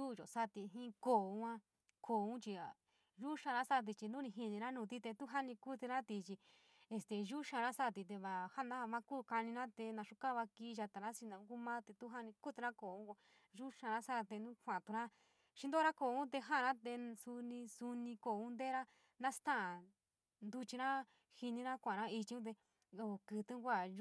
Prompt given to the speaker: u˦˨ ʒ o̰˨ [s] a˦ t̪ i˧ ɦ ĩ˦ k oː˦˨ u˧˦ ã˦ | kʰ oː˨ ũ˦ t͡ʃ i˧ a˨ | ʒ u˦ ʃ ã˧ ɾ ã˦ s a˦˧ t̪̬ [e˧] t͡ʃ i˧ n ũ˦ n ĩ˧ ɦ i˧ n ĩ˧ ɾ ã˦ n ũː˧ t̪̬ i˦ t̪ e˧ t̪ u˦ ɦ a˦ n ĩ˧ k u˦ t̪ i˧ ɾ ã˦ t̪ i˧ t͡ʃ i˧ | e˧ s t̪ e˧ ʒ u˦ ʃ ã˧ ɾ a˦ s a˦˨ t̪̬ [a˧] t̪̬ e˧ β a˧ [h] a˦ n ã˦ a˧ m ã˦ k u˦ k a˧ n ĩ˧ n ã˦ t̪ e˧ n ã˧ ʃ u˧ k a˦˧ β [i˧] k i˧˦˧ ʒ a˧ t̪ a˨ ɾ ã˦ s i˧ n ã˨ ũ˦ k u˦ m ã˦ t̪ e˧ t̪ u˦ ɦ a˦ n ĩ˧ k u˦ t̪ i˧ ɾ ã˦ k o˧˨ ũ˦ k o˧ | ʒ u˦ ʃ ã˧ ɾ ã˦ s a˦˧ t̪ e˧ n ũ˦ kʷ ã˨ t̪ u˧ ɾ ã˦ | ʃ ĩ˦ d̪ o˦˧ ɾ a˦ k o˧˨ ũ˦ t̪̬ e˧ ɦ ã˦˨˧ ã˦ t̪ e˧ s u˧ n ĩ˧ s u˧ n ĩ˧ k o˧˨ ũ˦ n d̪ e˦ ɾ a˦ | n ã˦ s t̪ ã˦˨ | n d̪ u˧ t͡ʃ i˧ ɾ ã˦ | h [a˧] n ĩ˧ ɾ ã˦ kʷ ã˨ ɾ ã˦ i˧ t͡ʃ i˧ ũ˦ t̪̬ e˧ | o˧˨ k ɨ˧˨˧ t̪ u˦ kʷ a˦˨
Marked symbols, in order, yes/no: yes, no, no, yes, no, no

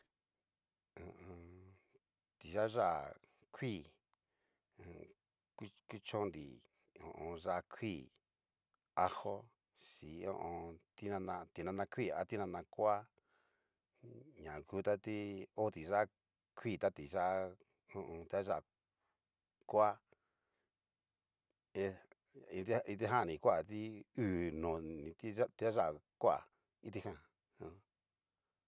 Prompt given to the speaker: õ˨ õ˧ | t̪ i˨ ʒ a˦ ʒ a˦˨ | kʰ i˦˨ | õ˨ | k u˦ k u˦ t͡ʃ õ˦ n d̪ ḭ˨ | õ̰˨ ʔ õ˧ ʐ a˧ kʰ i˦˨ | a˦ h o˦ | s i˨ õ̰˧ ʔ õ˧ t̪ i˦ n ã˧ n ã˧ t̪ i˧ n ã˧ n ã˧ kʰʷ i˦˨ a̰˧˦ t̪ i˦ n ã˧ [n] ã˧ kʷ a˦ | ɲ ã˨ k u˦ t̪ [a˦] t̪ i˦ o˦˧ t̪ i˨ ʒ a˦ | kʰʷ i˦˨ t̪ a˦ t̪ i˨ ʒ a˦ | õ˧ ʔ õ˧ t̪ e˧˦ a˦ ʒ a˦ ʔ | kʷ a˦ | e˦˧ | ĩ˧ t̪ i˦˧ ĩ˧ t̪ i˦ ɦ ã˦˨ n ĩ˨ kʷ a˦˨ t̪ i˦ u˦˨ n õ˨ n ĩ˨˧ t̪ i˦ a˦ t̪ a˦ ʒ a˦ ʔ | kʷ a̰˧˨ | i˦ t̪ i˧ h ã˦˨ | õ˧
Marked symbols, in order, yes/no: yes, yes

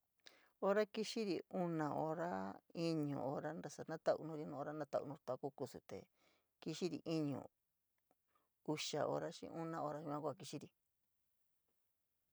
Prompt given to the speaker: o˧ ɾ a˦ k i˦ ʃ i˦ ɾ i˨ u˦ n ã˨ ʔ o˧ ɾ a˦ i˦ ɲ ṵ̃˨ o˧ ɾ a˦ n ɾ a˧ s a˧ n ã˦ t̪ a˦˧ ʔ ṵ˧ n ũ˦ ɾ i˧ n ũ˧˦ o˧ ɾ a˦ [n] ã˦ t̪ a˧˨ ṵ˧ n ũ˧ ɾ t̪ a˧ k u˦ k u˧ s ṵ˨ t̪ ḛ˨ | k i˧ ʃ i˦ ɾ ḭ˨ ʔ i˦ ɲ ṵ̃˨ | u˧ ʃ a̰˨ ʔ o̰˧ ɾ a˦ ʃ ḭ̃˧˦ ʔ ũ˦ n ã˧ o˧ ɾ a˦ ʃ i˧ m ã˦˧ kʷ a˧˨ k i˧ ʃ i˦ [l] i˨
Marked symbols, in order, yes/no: yes, no

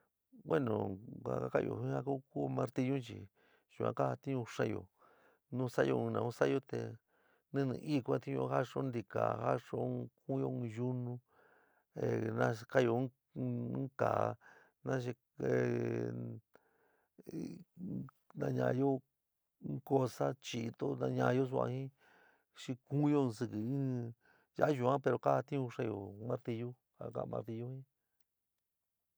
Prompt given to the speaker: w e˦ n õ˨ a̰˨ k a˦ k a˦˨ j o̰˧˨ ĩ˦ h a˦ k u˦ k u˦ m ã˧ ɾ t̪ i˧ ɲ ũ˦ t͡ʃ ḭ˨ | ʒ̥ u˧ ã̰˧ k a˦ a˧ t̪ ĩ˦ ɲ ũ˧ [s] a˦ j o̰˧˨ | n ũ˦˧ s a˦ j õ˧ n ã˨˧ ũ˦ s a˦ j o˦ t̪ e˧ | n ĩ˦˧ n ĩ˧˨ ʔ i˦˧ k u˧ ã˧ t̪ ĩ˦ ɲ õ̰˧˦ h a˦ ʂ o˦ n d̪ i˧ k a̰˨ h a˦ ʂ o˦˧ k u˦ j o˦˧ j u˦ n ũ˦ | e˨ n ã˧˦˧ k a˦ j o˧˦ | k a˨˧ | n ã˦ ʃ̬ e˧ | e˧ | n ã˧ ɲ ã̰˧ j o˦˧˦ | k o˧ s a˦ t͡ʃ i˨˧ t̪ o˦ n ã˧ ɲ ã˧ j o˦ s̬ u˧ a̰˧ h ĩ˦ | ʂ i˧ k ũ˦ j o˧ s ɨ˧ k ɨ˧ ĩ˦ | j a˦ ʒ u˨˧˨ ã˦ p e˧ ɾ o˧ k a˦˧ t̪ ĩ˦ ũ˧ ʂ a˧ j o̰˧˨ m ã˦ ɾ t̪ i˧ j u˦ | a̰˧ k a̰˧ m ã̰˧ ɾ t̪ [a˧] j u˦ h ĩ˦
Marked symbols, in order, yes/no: no, no

